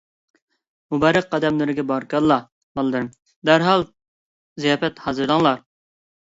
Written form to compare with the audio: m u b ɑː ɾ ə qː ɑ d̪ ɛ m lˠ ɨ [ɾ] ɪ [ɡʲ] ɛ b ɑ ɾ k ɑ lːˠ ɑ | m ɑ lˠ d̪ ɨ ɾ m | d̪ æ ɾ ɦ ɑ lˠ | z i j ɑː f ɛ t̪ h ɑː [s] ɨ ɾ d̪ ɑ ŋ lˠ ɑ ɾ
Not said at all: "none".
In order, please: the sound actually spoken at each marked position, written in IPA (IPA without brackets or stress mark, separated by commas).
ɾ, ɡʲ, z